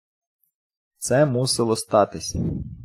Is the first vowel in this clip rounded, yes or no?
no